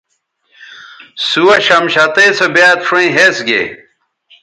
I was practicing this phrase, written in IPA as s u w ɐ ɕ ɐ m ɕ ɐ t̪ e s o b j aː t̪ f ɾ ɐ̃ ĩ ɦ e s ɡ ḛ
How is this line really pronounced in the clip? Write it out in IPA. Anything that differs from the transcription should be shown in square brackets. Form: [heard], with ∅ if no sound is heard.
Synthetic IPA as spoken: s u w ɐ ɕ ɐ m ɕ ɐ t̪ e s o b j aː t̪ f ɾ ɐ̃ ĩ ɦ e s ɡ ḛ